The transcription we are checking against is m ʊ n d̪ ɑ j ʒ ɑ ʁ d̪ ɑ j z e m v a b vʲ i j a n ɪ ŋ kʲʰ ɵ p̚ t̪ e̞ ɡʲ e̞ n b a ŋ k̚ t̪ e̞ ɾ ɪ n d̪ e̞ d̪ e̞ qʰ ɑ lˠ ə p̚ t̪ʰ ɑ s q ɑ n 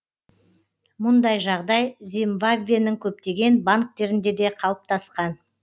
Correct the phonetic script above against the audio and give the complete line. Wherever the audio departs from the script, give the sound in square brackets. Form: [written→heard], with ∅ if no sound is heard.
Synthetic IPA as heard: m ʊ n d̪ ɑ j ʒ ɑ ʁ d̪ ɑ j z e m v a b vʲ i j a n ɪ ŋ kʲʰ ɵ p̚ t̪ e̞ ɡʲ e̞ n b a ŋ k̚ t̪ e̞ ɾ ɪ n d̪ e̞ d̪ e̞ qʰ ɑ lˠ ə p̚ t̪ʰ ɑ s q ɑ n